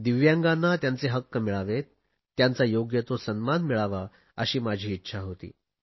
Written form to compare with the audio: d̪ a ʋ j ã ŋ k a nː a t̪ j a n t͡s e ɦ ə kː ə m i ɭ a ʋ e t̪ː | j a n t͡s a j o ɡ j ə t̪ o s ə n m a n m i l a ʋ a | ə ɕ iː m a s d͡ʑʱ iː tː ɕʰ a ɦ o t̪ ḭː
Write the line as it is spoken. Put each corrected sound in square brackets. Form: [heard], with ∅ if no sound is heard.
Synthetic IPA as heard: d̪ [i] ʋ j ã ŋ [ɡ] a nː a t̪ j a n t͡s e ɦ ə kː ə m i ɭ a ʋ e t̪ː | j a n t͡s a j o ɡ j ə t̪ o s ə n m a n m i [ɭ] a ʋ a | ə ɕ iː m a [∅] d͡ʑʱ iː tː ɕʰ a ɦ o t̪ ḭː